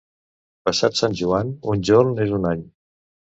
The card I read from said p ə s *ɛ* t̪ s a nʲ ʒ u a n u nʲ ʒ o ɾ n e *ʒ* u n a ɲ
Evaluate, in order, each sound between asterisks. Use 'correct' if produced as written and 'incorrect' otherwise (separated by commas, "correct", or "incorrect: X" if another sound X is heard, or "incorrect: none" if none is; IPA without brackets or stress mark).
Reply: incorrect: a, incorrect: z